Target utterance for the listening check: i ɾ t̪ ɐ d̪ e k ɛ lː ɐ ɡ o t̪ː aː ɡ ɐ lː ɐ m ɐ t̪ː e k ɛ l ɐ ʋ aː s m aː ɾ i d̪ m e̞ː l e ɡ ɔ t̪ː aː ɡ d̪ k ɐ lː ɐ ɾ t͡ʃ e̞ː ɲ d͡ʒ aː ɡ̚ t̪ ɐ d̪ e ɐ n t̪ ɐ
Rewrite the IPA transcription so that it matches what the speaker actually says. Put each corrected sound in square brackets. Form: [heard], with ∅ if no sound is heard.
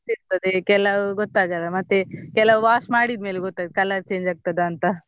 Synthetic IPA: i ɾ t̪ ɐ d̪ e k ɛ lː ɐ ɡ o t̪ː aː ɡ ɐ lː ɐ m ɐ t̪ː e k ɛ l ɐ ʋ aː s m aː [ɽ] i d̪ m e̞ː l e ɡ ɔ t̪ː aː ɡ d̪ k ɐ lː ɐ ɾ t͡ʃ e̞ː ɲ d͡ʒ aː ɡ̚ t̪ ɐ d̪ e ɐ n t̪ ɐ